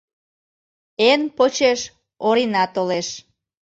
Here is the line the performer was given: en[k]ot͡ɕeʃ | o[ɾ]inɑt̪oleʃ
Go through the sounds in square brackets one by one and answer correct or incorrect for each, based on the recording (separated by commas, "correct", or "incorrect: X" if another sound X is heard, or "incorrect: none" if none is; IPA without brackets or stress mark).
incorrect: p, correct